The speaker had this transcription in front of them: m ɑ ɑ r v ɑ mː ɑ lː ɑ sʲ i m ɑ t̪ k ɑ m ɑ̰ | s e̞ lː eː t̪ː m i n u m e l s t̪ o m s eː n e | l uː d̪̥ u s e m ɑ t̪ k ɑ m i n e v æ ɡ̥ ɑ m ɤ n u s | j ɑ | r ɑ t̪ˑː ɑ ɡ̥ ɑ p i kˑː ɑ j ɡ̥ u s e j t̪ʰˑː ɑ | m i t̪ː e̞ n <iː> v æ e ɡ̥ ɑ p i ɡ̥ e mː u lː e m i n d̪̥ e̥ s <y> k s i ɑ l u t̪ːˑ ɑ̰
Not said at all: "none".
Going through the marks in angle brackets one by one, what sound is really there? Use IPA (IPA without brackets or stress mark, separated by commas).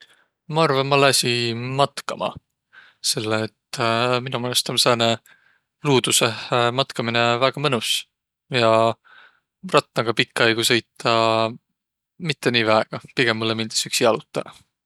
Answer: iː, y